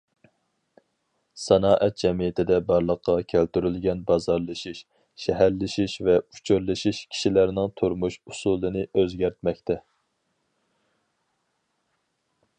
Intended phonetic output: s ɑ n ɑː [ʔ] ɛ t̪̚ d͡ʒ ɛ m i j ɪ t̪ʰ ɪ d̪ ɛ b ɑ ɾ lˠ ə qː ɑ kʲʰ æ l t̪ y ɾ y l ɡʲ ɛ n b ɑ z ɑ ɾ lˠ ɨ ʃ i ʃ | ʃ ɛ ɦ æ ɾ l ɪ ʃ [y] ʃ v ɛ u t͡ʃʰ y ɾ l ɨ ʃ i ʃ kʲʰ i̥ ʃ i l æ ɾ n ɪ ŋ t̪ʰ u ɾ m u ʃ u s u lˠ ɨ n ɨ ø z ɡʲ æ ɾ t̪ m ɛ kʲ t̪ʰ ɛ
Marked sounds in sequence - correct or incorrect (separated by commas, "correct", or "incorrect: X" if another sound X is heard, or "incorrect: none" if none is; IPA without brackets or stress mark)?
correct, incorrect: i